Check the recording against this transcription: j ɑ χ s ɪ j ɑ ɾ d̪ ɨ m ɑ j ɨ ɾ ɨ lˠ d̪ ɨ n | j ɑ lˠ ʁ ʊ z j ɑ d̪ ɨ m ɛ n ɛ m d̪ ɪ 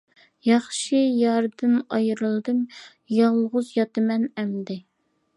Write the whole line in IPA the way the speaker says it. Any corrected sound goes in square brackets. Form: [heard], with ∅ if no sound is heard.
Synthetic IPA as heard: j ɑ χ [ʃ] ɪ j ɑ ɾ d̪ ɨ [n] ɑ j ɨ ɾ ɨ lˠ d̪ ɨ [m] | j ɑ lˠ ʁ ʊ z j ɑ [t̪] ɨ m ɛ n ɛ m d̪ ɪ